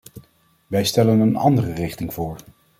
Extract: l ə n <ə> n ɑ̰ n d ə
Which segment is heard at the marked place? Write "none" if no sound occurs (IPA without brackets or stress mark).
ə